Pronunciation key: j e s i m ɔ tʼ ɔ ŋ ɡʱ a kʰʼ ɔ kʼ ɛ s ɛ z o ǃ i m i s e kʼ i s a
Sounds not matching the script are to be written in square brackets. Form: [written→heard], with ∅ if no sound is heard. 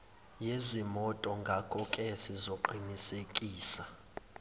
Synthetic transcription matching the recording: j e [s→z] i m ɔ tʼ ɔ ŋ ɡʱ a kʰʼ ɔ kʼ ɛ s [ɛ→i] z o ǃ i [m→n] i s e kʼ [i→iː] s a